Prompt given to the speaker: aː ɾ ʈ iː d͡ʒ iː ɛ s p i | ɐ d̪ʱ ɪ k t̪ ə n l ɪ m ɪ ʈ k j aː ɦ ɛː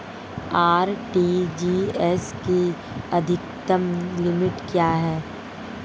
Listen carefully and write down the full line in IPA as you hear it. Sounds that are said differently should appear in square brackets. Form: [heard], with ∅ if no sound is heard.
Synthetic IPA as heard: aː ɾ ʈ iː d͡ʒ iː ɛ s [k] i | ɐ d̪ʱ ɪ k t̪ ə [m] l ɪ m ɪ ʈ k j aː ɦ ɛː